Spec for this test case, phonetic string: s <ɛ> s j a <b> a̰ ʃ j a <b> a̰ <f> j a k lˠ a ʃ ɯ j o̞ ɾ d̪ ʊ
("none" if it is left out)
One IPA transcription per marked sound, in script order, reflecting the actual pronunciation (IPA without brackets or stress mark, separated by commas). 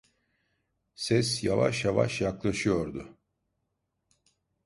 ɛ, v, v, ʃ